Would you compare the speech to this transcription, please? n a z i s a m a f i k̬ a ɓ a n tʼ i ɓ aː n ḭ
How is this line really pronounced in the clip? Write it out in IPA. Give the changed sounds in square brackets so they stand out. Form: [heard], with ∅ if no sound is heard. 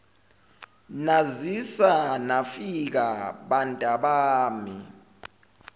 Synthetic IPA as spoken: n a z i s a [n] a f i k̬ a ɓ a n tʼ [a] ɓ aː [m] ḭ